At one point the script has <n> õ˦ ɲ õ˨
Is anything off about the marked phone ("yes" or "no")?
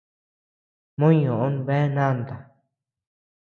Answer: yes